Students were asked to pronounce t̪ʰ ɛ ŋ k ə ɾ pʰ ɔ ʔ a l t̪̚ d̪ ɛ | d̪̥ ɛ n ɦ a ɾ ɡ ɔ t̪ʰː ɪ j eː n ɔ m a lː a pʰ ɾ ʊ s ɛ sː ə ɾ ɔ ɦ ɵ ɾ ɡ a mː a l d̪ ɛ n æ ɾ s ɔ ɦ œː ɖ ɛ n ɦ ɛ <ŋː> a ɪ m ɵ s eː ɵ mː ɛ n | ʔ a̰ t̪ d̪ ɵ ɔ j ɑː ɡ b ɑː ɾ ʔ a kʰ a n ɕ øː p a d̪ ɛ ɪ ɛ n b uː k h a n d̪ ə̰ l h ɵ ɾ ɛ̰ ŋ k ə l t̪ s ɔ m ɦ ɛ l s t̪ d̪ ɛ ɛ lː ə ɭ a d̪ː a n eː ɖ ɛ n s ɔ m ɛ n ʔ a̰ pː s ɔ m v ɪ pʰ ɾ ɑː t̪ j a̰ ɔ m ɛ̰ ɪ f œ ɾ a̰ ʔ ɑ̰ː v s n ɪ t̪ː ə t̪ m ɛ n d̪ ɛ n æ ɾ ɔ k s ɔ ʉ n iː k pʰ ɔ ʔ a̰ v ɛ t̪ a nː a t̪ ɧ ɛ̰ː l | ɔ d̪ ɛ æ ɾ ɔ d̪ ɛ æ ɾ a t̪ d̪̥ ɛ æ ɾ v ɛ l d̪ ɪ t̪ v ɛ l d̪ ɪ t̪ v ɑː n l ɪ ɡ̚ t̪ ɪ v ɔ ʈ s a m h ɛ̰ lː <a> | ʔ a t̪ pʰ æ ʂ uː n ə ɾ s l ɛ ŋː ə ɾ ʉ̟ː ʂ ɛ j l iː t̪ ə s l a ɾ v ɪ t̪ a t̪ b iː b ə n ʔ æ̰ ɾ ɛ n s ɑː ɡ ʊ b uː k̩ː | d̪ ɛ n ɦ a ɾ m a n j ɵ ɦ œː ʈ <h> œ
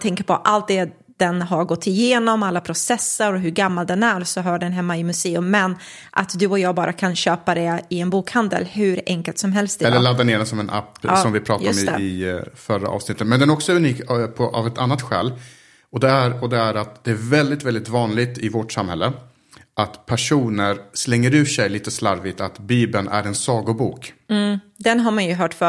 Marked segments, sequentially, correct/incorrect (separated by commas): incorrect, incorrect, incorrect